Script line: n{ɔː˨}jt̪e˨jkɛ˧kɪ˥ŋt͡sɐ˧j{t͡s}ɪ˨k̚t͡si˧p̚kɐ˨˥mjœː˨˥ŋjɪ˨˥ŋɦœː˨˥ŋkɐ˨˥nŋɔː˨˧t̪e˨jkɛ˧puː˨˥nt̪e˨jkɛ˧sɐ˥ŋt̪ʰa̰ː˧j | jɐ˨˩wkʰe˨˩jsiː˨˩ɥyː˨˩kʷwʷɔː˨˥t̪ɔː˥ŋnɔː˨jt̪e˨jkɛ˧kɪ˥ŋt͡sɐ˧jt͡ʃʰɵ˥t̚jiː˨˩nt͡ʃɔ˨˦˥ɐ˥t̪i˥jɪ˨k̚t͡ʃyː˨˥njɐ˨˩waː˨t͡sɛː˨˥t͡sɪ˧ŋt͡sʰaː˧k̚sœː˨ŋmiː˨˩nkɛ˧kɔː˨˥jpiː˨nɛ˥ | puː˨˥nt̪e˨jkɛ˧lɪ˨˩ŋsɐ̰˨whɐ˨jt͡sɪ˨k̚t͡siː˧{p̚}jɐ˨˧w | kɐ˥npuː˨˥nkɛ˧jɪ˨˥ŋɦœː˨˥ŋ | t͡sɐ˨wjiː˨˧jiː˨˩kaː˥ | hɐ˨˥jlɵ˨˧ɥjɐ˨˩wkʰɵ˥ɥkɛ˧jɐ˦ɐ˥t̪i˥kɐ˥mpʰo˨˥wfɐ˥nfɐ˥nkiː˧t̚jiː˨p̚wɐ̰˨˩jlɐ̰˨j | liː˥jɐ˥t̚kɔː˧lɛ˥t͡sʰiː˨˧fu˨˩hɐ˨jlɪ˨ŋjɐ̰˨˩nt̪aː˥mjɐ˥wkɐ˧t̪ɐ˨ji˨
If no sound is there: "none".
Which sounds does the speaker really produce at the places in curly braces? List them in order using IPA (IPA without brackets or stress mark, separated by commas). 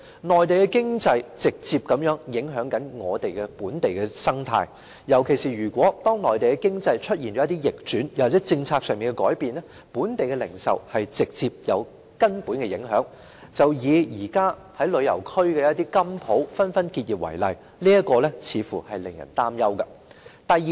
ɔː˨, t͡s, p̚